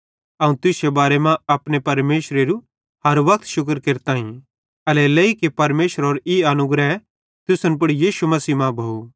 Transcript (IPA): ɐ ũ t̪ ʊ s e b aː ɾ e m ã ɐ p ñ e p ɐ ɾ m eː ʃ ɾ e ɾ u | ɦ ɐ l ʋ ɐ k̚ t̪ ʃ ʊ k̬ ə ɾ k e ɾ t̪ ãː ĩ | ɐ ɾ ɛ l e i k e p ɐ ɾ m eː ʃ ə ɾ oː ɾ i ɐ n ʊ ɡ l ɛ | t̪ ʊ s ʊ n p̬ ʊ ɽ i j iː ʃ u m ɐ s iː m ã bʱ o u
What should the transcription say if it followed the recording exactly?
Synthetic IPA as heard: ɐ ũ t̪ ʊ s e b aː ɾ e m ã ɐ p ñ e p ɐ ɾ m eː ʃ ɾ e ɾ u | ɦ ɐ ɾ ʋ ɐ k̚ t̪ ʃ ʊ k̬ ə ɾ k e ɾ t̪ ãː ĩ | ɐ l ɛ l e i k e p ɐ ɾ m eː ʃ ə ɾ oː ɾ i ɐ n ʊ ɡ ɾ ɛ | t̪ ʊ s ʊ n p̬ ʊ ɽ i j iː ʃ u m ɐ s iː m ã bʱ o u